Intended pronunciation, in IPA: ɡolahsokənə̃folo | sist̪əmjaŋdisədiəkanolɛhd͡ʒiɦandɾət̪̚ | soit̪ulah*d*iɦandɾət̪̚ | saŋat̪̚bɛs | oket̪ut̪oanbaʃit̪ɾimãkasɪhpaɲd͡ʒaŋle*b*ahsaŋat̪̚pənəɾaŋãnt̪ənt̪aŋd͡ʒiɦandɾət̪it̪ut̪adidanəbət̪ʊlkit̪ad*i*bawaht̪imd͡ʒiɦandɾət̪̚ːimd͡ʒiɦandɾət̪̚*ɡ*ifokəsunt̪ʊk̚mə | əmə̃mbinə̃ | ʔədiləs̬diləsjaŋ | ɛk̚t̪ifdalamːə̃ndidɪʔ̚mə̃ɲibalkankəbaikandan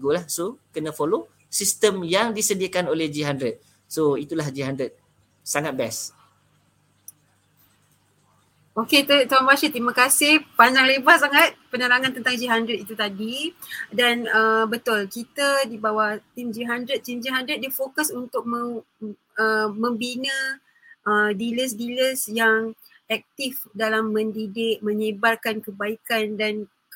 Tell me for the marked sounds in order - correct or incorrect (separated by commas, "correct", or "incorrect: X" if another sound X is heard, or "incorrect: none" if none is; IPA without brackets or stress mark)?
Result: incorrect: d͡ʒ, correct, correct, incorrect: d